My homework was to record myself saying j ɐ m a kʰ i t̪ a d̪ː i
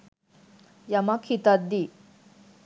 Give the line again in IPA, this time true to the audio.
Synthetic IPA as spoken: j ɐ m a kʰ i t̪ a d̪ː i